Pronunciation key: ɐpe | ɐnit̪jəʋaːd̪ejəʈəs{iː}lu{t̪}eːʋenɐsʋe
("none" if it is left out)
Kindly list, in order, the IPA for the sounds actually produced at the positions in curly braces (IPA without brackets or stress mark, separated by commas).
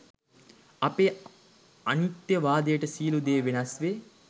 iː, d̪